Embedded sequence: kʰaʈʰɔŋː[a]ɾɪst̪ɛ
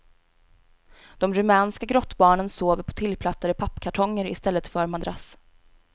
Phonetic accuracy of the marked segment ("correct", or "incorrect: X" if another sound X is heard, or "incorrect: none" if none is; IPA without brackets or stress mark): incorrect: ə